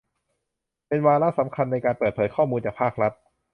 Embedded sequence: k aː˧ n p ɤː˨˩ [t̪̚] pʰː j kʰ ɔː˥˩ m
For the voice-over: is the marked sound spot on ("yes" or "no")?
yes